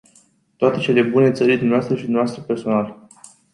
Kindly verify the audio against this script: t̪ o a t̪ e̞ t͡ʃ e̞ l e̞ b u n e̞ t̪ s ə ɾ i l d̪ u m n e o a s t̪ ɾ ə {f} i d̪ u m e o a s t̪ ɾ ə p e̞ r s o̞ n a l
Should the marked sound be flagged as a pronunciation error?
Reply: yes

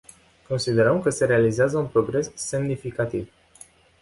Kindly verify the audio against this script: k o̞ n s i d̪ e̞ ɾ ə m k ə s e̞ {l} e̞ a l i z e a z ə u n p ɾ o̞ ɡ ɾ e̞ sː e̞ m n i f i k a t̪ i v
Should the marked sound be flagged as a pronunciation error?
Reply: yes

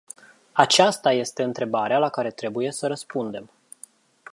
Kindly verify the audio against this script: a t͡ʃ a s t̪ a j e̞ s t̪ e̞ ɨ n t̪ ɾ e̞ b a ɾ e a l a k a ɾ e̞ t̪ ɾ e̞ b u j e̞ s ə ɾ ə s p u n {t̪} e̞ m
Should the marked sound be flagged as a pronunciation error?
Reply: yes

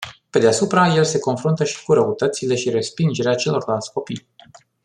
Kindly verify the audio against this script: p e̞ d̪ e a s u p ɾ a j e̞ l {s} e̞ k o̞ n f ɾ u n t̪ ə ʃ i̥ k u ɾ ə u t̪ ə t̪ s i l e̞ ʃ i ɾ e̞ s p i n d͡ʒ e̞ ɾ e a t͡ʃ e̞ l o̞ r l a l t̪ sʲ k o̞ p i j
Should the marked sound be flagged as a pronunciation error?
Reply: no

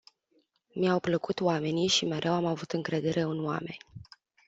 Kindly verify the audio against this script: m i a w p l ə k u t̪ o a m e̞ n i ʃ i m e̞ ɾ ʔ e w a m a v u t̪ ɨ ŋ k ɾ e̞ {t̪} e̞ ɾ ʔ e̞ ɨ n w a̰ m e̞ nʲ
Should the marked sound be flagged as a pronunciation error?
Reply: yes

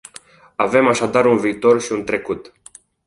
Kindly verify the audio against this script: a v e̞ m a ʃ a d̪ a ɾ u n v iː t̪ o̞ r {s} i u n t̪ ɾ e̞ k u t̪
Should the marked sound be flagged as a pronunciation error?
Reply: yes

